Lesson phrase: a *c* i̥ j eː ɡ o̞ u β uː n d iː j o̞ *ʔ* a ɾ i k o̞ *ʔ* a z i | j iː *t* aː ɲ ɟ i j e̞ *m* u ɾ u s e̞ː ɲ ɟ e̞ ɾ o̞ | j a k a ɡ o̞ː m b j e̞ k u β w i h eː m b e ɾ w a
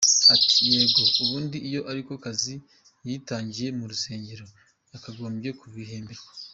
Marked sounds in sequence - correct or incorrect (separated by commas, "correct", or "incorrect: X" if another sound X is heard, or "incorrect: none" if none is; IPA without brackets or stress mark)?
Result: incorrect: t, correct, incorrect: k, correct, correct